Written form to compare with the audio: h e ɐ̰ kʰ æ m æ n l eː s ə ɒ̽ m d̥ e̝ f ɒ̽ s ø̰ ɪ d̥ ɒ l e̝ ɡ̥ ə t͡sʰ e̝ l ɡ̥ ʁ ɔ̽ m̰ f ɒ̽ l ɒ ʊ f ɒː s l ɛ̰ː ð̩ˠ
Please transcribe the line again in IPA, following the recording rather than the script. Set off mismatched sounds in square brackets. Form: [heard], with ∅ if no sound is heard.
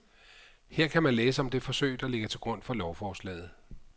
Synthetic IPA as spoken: h e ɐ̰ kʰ æ m æ n l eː s ə ɒ̽ m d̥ e̝ f ɒ̽ s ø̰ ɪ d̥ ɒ l e̝ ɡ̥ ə t͡sʰ e̝ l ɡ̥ ʁ ɔ̽ [n̰] f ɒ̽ l ɒ ʊ f ɒː s l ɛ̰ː ð̩ˠ